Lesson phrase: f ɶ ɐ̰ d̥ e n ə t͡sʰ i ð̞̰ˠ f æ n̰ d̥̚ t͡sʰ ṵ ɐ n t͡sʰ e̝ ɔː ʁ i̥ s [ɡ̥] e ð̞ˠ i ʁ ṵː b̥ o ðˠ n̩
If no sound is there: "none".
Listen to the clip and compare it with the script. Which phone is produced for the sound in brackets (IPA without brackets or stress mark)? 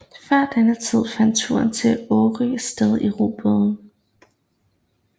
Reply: d̥